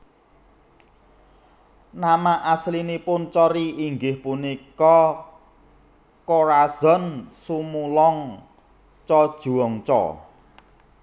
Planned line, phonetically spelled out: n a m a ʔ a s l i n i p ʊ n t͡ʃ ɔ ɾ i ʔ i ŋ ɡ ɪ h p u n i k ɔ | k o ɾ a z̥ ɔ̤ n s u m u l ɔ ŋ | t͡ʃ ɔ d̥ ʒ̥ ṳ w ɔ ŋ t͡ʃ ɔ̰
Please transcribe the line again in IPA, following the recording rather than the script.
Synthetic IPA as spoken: n a m a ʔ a s l i n i p ʊ n t͡ʃ ɔ ɾ i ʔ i ŋ ɡ ɪ h p u n i k ɔ | k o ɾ a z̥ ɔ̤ n s u m u l ɔ ŋ | t͡ʃ ɔ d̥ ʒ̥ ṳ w ɔ ŋ t͡ʃ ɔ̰

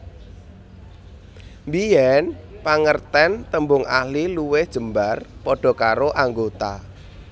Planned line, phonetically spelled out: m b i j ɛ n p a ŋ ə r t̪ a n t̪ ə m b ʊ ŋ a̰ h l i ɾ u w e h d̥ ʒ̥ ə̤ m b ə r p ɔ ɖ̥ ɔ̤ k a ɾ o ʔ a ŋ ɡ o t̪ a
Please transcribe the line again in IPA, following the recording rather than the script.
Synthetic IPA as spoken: m b i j ɛ n p a ŋ ə r t̪ ɛ n t̪ ə m b ʊ ŋ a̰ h l i l u w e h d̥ ʒ̥ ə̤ m b a r p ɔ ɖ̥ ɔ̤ k a ɾ o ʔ a ŋ ɡ o t̪ a

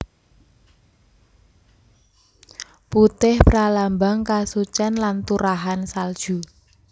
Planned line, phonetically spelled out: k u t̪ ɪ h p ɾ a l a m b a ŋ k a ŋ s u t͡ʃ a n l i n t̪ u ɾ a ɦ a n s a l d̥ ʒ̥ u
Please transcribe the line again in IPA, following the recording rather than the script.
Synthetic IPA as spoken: p u t̪ ɪ h p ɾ a l a m b a ŋ k a s u t͡ʃ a n l a n t̪ u ɾ a ɦ a n s a l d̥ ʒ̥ u

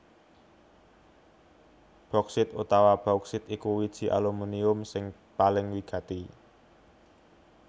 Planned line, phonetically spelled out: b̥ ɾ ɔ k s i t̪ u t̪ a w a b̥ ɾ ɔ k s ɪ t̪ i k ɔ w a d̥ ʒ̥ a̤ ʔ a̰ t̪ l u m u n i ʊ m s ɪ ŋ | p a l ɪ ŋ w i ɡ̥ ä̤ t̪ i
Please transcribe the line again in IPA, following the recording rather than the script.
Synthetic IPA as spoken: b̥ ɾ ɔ k s ɪ t̪ u t̪ a w a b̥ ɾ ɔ k s ɪ t̪ i k u w i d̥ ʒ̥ i̤ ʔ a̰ l u m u n i ʊ m s ɪ ŋ | p a l ɪ ŋ w i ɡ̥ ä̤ t̪ i

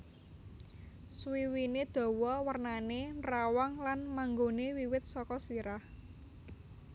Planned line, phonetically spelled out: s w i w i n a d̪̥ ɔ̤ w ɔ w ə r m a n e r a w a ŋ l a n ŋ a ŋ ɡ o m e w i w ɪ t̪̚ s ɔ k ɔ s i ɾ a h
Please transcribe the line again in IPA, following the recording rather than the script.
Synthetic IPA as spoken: s w i w i n e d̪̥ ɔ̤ w ɔ w ə r n a n e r a w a ŋ l a n m a ŋ ɡ o n e w i w ɪ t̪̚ s ɔ k ɔ s i ɾ a h

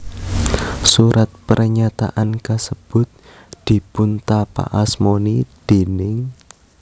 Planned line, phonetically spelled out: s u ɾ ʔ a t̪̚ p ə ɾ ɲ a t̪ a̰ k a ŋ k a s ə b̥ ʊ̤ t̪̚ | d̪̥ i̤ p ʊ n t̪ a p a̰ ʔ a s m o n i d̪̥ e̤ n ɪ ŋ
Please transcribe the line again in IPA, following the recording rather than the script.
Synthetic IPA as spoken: s u ɾ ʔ a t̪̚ p ə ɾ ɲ a t̪ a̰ ʔ a n k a s ə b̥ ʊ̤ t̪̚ | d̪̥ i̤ p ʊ n t̪ a p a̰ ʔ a s m o n i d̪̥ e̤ n ɪ ŋ

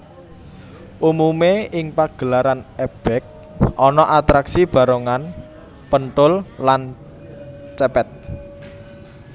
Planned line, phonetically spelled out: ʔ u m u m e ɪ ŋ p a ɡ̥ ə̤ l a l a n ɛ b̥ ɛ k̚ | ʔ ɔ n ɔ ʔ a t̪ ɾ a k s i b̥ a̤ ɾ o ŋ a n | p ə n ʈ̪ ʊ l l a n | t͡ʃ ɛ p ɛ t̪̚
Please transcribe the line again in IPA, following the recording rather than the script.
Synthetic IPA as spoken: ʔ u m u m e ɪ ŋ p a ɡ̥ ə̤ l a ɾ a n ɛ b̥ ɛ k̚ | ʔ ɔ n ɔ ʔ a t̪ ɾ a k s i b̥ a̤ ɾ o ŋ a n | p ə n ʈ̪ ʊ l l a n | t͡ʃ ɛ p ɛ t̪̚

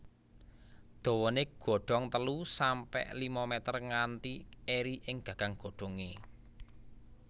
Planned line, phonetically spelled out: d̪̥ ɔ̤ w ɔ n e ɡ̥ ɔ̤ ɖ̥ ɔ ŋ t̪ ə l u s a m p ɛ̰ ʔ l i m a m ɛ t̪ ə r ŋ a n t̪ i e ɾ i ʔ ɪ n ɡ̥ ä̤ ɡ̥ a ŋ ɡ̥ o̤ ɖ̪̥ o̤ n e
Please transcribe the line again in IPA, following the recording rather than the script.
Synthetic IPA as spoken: d̪̥ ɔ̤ w ɔ n e ɡ̥ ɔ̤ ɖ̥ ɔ ŋ t̪ ə l u s a m p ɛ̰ ʔ l i m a m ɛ t̪ ə r ŋ a n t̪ i e ɾ i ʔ ɪ ŋ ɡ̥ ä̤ ɡ̥ a ŋ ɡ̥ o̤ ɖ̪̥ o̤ ŋ e

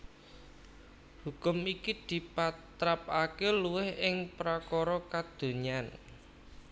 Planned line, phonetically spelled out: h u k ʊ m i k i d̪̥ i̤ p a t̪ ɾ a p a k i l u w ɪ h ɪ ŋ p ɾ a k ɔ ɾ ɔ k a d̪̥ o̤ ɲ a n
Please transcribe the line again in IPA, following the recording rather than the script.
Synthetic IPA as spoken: h u k ʊ m i k i d̪̥ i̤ p a t̪ ɾ a p a k e l u w ɪ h ɪ ŋ p ɾ a k ɔ ɾ ɔ k a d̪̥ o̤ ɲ a n

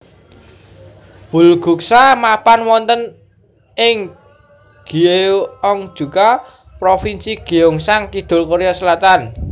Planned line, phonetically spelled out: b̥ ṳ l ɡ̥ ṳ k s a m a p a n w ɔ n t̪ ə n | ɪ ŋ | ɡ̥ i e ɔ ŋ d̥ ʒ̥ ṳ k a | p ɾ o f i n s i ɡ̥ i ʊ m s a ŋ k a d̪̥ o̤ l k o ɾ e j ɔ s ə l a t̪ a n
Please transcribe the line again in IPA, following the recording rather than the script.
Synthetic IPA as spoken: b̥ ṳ l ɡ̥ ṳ k s a m a p a n w ɔ n t̪ ə n | ɪ ŋ | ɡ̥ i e ɔ ŋ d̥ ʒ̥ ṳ k a | p ɾ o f i n s i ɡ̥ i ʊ ŋ s a ŋ k i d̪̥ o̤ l k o ɾ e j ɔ s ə l a t̪ a n

